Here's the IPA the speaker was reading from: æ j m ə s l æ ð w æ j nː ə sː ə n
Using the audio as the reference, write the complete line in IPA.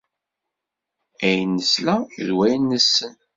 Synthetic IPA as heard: æ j n ə s l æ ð w æ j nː ə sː ə n